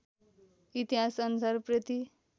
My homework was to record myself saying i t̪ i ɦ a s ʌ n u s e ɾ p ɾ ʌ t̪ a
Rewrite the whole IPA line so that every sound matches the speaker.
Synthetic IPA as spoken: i t̪ i ɦ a s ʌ n u s a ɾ p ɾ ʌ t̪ i